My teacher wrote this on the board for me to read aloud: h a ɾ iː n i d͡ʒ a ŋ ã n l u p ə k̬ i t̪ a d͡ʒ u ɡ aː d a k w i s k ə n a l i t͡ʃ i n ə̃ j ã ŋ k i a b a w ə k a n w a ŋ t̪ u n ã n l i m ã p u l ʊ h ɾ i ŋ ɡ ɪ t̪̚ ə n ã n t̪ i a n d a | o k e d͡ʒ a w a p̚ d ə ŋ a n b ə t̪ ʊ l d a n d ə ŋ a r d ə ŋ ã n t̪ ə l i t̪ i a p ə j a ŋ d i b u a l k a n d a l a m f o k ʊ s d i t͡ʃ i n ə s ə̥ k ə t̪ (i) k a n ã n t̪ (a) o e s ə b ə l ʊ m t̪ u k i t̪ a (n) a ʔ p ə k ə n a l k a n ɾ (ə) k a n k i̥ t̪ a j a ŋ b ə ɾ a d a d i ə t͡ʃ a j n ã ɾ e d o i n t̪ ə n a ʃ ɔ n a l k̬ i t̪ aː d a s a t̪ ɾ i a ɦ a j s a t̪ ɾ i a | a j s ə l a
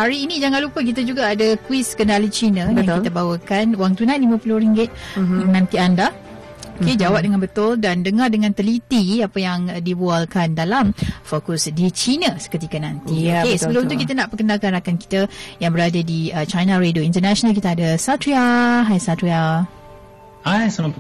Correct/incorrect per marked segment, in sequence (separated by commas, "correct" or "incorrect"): correct, incorrect, correct, incorrect